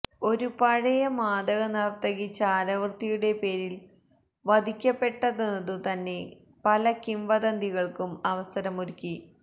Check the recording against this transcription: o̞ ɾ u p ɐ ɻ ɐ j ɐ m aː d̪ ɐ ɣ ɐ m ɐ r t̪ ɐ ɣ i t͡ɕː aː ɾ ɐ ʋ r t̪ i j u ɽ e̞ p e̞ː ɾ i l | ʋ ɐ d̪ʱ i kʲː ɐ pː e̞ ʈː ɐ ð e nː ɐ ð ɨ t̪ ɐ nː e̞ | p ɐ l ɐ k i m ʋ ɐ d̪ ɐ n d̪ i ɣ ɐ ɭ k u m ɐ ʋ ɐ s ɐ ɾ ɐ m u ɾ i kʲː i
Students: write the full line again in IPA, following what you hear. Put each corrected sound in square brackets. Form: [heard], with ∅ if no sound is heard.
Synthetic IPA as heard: o̞ ɾ u p ɐ ɻ ɐ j ɐ m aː d̪ ɐ ɣ ɐ [n] ɐ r t̪ ɐ ɣ i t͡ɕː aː ɾ ɐ ʋ r t̪ i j u ɽ e̞ p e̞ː ɾ i l | ʋ ɐ d̪ʱ i kʲː ɐ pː e̞ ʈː ɐ ð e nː ɐ ð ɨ t̪ ɐ nː e̞ | p ɐ l ɐ k i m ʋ ɐ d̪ ɐ n d̪ i ɣ ɐ ɭ k u m ɐ ʋ ɐ s ɐ ɾ ɐ m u ɾ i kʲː i